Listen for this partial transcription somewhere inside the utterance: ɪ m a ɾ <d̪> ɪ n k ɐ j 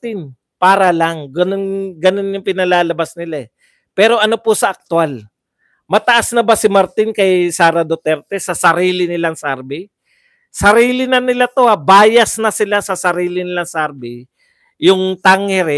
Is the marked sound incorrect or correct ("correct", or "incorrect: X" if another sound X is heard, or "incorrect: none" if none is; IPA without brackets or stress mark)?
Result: incorrect: t̪